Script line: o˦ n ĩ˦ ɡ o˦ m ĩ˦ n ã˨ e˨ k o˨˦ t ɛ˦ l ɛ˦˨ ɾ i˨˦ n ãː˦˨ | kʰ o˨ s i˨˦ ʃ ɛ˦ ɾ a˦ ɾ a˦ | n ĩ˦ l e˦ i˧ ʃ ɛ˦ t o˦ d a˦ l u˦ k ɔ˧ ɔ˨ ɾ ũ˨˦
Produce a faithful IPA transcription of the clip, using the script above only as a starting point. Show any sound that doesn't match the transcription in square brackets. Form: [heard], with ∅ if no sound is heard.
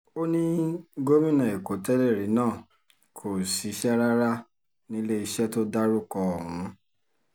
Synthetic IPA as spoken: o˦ n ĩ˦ ɡ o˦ m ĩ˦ n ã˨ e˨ k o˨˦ t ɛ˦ l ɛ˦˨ ɾ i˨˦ n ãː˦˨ | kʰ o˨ s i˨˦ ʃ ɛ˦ ɾ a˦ ɾ a˦ | n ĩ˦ l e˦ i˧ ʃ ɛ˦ t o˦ d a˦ [ɾ] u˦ k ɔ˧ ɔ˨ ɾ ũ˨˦